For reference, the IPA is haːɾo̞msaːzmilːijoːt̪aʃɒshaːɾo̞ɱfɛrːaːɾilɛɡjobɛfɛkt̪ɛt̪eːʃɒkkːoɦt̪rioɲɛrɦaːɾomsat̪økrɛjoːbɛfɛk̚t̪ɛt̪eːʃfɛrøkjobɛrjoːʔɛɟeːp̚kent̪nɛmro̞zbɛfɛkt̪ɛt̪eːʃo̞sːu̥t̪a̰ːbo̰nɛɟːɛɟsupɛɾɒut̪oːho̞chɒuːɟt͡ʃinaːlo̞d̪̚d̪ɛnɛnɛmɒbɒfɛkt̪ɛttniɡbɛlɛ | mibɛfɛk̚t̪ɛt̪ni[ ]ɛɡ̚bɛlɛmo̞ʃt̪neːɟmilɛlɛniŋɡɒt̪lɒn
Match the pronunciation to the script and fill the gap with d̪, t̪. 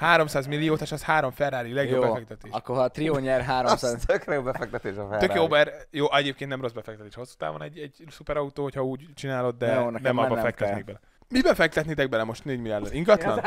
t̪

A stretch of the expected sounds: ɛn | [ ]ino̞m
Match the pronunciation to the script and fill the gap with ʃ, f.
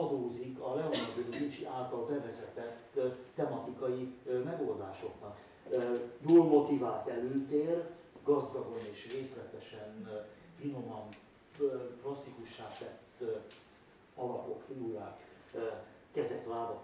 f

